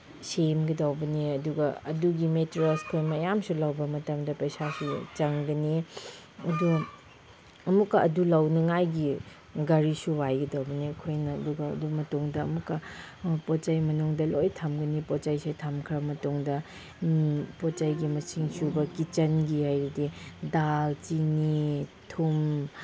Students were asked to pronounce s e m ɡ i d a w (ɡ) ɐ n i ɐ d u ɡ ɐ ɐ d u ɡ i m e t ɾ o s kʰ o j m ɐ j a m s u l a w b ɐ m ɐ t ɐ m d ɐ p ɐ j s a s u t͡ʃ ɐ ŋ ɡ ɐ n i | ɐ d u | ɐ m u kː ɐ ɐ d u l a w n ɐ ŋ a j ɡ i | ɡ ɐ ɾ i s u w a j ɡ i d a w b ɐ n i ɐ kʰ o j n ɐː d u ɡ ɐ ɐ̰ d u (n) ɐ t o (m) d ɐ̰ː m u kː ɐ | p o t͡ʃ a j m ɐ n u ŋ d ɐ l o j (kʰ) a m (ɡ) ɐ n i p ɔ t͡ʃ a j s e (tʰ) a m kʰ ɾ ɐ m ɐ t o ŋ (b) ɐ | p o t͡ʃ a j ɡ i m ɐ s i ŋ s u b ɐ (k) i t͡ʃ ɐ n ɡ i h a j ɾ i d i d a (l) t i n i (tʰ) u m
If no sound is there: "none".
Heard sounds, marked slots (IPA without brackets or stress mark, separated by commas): b, m, ŋ, tʰ, ɡ, tʰ, d, k, l, tʰ